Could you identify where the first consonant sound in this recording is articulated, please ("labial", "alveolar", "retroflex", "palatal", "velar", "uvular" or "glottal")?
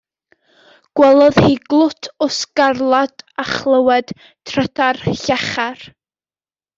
velar